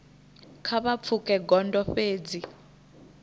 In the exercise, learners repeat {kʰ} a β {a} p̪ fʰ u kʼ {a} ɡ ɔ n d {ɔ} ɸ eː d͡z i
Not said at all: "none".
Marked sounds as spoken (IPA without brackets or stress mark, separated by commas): kʰ, a, ɛ, ɔ